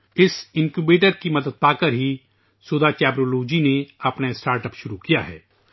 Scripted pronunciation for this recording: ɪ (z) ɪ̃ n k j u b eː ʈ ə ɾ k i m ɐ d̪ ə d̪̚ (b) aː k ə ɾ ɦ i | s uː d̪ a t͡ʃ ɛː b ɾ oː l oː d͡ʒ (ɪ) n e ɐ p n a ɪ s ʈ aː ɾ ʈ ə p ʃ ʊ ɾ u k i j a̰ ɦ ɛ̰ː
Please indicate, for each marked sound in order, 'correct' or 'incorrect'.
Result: incorrect: s, incorrect: p, incorrect: i

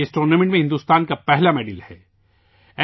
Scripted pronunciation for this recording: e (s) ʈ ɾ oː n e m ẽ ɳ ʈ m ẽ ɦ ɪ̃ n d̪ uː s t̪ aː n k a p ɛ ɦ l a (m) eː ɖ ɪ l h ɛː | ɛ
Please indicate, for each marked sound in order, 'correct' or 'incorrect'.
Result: correct, correct

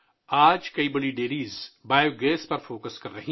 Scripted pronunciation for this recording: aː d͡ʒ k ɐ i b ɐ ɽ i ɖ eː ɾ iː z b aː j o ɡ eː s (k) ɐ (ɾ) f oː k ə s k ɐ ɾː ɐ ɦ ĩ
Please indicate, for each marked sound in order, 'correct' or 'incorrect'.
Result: incorrect: p, correct

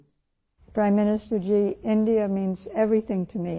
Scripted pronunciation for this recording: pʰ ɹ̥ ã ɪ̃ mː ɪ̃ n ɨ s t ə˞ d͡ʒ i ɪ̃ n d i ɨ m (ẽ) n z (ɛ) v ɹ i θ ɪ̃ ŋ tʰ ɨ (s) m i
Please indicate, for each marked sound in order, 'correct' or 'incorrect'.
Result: incorrect: ĩ, correct, incorrect: none

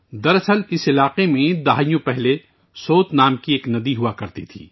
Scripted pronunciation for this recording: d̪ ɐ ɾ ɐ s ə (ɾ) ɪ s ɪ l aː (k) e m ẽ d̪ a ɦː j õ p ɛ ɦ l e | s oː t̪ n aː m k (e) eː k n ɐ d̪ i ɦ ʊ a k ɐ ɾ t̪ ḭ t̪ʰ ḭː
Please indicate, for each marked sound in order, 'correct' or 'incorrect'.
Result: incorrect: l, incorrect: q, incorrect: i

